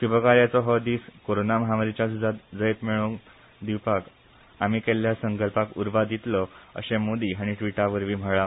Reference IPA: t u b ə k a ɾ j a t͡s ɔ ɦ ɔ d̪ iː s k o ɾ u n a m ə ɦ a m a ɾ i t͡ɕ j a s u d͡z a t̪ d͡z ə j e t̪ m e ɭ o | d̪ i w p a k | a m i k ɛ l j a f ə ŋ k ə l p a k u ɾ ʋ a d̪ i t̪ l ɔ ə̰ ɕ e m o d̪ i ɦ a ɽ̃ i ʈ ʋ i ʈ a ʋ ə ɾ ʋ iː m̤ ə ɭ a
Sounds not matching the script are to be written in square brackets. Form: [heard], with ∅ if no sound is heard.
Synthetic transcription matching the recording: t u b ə k a ɾ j a t͡s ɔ ɦ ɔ d̪ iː s k o ɾ [o] n a m ə ɦ a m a ɾ i t͡ɕ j a s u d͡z a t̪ d͡z ə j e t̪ m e ɭ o | d̪ i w p a k | a m i k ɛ l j a [s] ə ŋ k ə l p a k u ɾ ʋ a d̪ i t̪ l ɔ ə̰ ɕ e m o d̪ i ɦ a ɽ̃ i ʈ ʋ i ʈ a ʋ ə ɾ ʋ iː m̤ ə ɭ a